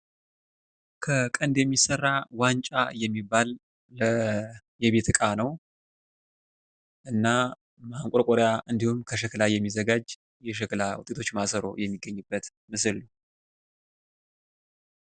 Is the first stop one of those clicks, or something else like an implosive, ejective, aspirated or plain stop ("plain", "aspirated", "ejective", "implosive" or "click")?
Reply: aspirated